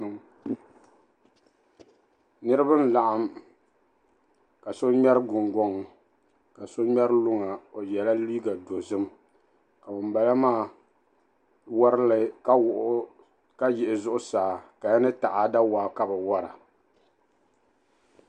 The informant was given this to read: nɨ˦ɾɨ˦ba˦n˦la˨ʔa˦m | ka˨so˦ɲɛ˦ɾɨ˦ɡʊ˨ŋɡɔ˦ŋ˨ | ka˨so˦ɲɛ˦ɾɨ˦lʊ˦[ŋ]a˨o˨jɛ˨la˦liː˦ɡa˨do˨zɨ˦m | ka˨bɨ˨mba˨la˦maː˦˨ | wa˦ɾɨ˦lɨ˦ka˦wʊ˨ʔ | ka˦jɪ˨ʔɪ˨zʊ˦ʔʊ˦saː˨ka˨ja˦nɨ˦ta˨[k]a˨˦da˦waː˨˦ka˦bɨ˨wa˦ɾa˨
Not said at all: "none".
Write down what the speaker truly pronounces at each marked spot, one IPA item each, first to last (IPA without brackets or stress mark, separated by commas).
ŋ, ʔ